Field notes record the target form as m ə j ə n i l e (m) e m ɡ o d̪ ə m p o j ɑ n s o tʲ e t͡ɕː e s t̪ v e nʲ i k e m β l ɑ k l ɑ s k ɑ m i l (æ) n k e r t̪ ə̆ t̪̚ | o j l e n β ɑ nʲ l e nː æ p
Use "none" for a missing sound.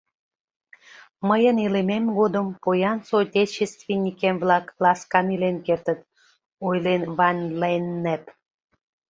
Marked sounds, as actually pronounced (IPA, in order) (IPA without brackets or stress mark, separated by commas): m, e